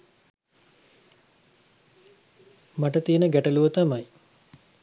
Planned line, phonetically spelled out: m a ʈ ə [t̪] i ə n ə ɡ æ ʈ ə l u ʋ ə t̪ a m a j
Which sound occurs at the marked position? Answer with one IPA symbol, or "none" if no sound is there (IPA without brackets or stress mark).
t̪